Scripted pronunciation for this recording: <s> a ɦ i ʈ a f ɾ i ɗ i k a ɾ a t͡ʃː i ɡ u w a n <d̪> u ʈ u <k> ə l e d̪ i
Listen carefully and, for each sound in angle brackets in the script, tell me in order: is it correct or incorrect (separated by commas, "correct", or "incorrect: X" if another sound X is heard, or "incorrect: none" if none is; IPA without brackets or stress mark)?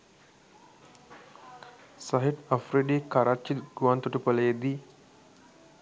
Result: correct, incorrect: t̪, incorrect: p